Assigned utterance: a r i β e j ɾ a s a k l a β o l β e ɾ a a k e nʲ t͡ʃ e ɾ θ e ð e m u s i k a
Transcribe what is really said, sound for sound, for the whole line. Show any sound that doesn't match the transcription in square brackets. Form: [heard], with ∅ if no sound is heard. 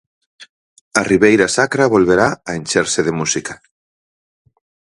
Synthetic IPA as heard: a r i β e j ɾ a s a k [ɾ] a β o l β e ɾ a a [∅] e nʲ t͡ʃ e ɾ [s] e ð e m u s i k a